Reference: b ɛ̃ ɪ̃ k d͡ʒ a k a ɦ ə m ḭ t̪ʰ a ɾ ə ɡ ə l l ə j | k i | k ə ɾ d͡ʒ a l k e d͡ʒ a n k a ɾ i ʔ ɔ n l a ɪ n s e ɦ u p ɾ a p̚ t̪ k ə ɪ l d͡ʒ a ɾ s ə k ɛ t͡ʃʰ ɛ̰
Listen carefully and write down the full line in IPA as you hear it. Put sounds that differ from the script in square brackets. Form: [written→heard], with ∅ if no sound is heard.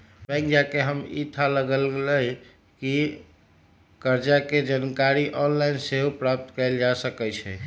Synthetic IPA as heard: b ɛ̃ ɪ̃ k d͡ʒ a k [a→e] ɦ ə m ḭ t̪ʰ a [ɾ→l] ə ɡ ə l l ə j | k i | k ə ɾ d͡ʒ a [l→∅] k e d͡ʒ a n k a ɾ i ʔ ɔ n l a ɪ n s e ɦ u p ɾ a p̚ t̪ k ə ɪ l d͡ʒ a [ɾ→∅] s ə k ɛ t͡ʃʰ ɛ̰